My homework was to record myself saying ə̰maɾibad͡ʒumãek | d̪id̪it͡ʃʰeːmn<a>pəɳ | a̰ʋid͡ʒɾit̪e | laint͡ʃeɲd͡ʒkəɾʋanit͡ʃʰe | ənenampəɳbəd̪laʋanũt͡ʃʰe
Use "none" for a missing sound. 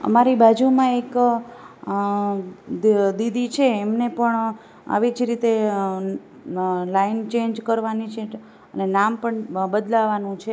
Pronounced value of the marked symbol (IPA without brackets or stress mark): e